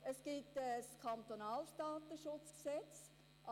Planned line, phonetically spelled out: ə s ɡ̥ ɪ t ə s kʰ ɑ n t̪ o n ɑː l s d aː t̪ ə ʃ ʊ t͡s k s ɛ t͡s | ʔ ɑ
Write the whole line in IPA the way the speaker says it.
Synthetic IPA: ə s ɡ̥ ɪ t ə s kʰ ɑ n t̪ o n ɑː l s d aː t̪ ə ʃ ʊ t͡s k s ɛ t͡s | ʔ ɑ